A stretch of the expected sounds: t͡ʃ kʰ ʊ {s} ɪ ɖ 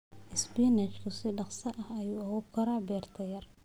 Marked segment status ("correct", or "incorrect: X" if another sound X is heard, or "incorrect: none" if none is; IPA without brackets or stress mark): correct